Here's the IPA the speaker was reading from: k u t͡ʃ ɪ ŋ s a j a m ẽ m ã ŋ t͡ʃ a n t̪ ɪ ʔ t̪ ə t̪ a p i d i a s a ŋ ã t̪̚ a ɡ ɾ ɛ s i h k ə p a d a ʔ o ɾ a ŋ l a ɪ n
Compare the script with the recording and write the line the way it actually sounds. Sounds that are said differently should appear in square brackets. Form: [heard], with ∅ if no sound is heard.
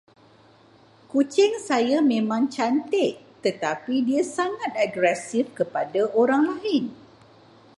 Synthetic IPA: k u t͡ʃ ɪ ŋ s a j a m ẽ m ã ŋ t͡ʃ a n t̪ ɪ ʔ t̪ ə t̪ a p i d i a s a ŋ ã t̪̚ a ɡ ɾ ɛ s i [f] k ə p a d a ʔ o ɾ a ŋ l a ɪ n